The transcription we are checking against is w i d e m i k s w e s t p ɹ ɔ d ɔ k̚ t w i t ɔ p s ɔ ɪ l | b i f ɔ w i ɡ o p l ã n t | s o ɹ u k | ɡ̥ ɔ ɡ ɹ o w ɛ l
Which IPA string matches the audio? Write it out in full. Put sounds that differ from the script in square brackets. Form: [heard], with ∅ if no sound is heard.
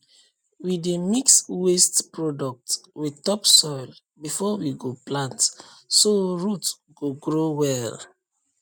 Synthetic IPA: w i d e m i k s w e s t p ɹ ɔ d ɔ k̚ t w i t ɔ p s ɔ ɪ l | b i f ɔ w i ɡ o p l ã n t | s o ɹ u [t] | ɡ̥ [o] ɡ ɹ o w ɛ l